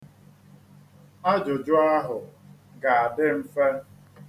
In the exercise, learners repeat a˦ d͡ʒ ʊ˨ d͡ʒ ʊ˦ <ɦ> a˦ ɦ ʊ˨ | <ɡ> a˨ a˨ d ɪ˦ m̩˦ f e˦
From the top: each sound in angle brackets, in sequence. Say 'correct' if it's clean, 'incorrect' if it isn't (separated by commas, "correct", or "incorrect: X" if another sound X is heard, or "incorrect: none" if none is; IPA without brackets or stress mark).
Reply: incorrect: none, correct